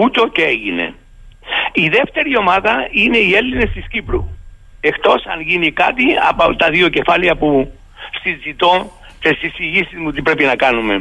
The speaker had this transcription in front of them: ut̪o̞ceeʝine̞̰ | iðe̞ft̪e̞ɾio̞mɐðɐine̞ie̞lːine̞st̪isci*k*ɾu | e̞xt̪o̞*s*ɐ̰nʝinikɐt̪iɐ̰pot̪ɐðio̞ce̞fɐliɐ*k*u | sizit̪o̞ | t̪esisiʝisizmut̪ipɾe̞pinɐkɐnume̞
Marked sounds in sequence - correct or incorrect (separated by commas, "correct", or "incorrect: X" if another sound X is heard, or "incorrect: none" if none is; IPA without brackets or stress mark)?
incorrect: p, correct, incorrect: p